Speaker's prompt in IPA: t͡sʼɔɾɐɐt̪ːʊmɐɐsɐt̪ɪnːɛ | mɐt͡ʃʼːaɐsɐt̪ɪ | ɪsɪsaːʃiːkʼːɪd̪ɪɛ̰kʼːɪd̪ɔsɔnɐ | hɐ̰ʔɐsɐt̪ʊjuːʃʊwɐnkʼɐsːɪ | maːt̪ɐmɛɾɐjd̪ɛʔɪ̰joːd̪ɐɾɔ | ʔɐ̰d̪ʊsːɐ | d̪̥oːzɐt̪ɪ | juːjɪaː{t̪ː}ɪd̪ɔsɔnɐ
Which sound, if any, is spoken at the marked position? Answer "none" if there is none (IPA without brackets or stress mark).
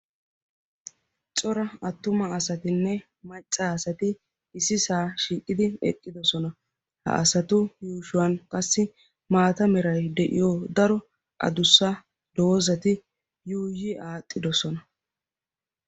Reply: t̪ʼː